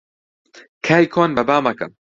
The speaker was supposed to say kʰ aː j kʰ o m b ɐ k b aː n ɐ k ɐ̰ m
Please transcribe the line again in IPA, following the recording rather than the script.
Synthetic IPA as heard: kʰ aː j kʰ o n b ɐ b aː m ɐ k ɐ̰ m